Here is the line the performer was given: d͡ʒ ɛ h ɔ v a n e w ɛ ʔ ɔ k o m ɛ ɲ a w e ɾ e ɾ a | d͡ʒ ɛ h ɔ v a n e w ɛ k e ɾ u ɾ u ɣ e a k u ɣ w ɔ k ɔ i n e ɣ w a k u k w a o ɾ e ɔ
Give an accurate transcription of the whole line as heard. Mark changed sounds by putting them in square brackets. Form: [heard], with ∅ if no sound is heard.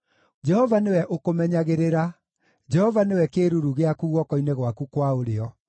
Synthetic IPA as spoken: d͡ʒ ɛ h ɔ v a n e w ɛ ʔ [o] k o m ɛ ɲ a [ɣ] e ɾ e ɾ a | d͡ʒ ɛ h ɔ v a n e w ɛ k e ɾ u ɾ u ɣ e a k u ɣ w ɔ k ɔ i n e ɣ w a k u k w a o ɾ e ɔ